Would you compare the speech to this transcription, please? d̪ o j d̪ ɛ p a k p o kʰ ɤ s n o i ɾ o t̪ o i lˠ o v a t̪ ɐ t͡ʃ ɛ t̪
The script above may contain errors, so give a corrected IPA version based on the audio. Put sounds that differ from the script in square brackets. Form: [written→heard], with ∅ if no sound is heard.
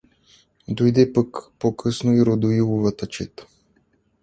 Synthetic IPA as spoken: d̪ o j d̪ ɛ p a k p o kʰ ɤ s n o i ɾ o [t̪→d̪] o i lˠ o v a t̪ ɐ t͡ʃ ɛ t̪